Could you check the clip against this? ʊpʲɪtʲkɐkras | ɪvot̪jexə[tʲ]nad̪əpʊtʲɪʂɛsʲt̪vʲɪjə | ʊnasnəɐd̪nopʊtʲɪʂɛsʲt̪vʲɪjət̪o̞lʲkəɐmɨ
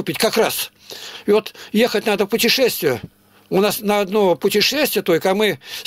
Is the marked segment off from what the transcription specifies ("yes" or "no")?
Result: no